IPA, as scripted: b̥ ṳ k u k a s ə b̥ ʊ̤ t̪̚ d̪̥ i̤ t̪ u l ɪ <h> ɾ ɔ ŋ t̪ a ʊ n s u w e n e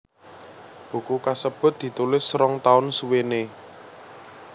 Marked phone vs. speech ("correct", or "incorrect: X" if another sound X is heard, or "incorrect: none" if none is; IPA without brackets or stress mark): incorrect: s